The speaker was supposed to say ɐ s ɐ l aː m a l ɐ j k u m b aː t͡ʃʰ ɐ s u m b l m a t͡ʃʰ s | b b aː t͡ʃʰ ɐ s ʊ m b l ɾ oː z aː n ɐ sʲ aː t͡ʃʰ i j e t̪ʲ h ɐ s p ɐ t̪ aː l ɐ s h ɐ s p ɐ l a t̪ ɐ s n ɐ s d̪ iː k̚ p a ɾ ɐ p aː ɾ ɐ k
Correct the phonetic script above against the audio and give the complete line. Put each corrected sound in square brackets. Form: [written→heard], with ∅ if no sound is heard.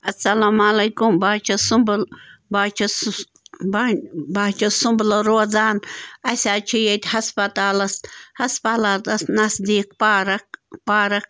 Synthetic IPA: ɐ s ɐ l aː m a l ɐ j k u m b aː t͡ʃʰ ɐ s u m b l [m→b] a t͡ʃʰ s | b b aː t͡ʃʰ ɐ s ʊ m b l ɾ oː z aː n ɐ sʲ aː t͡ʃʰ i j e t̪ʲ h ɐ s p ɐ t̪ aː l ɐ s h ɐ s p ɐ l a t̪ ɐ s n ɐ s d̪ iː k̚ p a ɾ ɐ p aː ɾ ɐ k

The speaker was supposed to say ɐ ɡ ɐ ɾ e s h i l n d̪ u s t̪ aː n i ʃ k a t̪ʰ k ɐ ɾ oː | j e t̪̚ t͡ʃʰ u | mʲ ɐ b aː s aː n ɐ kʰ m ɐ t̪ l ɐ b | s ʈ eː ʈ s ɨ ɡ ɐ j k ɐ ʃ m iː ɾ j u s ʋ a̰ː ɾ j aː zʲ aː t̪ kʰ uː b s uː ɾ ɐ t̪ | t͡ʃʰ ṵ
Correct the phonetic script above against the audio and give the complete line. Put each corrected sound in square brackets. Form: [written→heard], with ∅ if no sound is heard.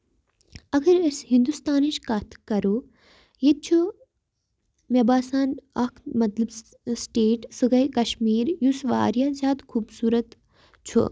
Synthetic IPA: ɐ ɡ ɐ ɾ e s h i [l→∅] n d̪ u s t̪ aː n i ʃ k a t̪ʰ k ɐ ɾ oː | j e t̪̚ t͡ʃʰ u | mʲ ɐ b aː s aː n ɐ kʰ m ɐ t̪ l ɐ b | s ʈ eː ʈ s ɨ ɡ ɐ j k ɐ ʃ m iː ɾ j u s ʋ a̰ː ɾ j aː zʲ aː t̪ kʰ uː b s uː ɾ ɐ t̪ | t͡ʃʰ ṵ

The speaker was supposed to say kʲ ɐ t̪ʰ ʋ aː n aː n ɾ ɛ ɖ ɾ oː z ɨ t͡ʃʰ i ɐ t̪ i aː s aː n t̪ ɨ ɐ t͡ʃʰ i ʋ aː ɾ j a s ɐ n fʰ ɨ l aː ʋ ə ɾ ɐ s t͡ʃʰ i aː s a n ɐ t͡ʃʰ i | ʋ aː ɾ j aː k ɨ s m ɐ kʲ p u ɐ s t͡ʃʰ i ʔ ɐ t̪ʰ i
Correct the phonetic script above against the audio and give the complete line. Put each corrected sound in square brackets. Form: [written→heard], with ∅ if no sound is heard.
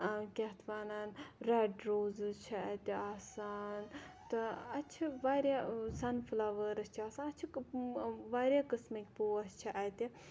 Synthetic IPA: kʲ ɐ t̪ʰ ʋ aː n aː n ɾ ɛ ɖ ɾ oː z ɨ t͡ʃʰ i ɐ t̪ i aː s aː n t̪ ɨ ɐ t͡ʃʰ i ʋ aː ɾ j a s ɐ n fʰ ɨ l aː ʋ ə ɾ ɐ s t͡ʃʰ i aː s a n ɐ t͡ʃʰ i | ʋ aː ɾ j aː k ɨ s m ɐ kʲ p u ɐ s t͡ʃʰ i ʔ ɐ [t̪ʰ→t̪] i

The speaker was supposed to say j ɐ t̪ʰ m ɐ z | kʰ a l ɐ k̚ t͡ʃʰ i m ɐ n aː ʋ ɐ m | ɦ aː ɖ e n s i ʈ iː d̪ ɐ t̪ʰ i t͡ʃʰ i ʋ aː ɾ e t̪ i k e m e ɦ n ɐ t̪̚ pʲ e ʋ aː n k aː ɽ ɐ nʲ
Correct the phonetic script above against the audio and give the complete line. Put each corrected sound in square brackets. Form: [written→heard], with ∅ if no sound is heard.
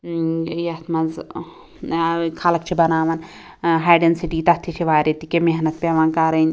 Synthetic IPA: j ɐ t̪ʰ m ɐ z | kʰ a l ɐ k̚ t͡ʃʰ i [m→b] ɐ n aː ʋ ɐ [m→n] | ɦ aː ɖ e n s i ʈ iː [d̪→t̪] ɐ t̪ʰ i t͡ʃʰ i ʋ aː ɾ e t̪ i k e m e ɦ n ɐ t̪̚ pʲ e ʋ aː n k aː [ɽ→ɾ] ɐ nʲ

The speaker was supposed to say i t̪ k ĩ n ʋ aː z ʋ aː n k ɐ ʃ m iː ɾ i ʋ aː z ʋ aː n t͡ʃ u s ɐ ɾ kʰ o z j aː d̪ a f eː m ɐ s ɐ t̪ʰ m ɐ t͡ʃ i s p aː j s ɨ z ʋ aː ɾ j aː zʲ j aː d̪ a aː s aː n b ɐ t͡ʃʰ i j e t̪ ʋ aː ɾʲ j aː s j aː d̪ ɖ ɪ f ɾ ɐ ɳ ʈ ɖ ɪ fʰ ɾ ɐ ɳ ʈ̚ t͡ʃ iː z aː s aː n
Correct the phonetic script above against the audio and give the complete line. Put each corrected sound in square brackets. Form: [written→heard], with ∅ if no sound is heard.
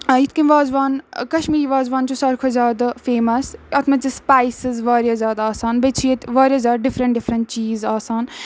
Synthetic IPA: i t̪ k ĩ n ʋ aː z ʋ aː n k ɐ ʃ m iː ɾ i ʋ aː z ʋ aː n t͡ʃ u s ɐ ɾ kʰ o z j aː d̪ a f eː m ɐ s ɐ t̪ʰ m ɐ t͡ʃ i s p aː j s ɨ z ʋ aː ɾ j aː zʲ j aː d̪ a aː s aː n b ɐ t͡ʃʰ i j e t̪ ʋ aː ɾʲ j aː [s→z] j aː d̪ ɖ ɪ f ɾ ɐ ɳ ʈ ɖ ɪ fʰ ɾ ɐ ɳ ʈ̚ t͡ʃ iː z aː s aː n

